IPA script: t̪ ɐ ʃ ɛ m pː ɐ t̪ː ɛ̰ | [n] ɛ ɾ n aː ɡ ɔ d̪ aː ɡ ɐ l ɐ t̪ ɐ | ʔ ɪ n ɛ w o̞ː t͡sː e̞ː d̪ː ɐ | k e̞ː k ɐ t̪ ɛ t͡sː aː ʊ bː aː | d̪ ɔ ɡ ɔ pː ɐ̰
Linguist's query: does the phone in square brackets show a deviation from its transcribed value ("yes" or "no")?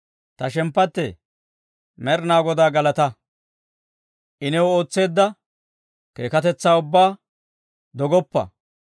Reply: yes